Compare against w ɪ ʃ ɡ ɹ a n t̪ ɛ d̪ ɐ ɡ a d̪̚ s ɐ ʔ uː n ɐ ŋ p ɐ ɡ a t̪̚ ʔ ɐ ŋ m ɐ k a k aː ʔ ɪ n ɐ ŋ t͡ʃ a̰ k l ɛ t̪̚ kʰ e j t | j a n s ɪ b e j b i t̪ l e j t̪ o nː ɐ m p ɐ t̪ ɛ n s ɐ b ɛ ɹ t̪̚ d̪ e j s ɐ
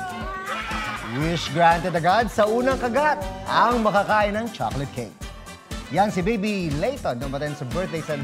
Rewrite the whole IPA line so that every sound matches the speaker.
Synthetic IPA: w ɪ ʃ ɡ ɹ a n t̪ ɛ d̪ ɐ ɡ a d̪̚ s ɐ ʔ uː n ɐ ŋ k ɐ ɡ a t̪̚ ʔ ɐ ŋ m ɐ k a k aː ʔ ɪ n ɐ ŋ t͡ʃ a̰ k l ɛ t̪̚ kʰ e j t | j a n s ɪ b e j b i l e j t̪ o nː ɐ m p ɐ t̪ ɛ n s ɐ b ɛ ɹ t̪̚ d̪ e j s ɐ